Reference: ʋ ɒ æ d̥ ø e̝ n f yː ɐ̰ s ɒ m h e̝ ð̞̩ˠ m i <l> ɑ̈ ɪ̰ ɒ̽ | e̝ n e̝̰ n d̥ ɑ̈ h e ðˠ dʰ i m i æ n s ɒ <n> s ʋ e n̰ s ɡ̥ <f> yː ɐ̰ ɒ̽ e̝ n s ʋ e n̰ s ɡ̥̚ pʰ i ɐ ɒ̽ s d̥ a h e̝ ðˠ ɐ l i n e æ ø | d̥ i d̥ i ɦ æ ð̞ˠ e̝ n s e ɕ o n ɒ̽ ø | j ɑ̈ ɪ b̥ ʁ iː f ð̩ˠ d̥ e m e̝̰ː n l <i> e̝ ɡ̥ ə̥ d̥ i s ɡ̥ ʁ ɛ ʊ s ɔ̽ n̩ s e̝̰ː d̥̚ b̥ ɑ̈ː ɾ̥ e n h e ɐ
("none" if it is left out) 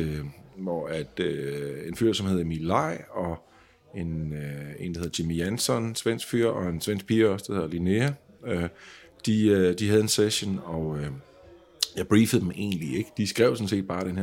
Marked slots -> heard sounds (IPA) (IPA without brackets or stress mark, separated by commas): l, n, f, i